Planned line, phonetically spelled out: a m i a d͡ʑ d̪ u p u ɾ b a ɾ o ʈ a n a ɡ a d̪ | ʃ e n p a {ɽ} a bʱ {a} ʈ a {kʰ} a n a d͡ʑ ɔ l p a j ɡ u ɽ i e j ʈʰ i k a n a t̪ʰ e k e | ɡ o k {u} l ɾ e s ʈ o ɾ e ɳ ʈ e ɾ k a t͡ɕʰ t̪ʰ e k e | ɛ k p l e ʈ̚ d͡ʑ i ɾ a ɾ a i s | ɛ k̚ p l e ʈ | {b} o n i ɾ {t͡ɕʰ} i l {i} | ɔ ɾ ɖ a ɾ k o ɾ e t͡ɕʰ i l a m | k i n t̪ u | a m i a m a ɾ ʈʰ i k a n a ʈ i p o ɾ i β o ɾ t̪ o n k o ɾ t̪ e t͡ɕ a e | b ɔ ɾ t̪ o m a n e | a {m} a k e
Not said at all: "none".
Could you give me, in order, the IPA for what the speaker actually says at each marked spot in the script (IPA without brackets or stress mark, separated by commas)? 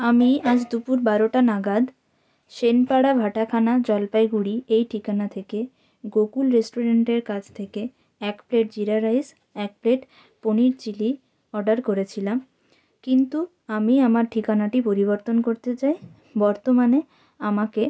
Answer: ɽ, a, kʰ, u, p, t͡ɕ, i, m